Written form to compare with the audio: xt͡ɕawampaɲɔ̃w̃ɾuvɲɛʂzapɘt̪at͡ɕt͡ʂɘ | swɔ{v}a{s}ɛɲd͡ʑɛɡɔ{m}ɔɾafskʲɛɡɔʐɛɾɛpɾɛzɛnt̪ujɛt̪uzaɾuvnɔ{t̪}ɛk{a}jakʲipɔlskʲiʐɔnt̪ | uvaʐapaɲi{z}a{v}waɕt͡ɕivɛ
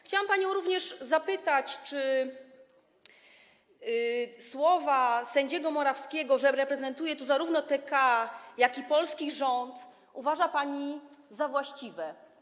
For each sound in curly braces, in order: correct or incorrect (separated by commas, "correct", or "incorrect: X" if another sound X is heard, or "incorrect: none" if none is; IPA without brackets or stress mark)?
correct, correct, correct, correct, correct, correct, correct